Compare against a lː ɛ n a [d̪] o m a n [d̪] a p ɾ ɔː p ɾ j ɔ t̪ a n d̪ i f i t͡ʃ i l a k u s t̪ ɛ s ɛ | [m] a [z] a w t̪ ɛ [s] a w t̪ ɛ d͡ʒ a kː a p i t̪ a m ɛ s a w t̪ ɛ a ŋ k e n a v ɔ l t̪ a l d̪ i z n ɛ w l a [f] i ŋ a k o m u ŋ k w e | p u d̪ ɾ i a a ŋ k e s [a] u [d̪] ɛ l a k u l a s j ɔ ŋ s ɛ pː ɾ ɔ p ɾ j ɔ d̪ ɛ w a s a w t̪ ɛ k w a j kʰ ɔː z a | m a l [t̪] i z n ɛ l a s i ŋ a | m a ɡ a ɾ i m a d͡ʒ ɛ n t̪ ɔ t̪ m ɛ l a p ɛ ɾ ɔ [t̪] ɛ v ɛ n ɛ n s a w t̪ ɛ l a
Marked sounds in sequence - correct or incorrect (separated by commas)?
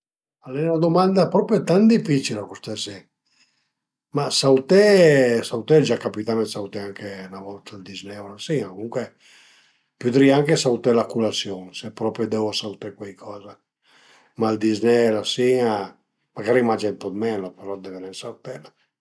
correct, correct, correct, incorrect, correct, incorrect, correct, incorrect, incorrect, incorrect